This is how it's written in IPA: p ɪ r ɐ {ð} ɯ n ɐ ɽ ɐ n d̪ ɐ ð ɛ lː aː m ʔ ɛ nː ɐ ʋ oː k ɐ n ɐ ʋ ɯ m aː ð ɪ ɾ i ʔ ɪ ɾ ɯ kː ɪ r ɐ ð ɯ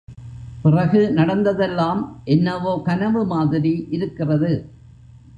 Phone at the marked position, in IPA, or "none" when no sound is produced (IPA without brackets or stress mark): ɣ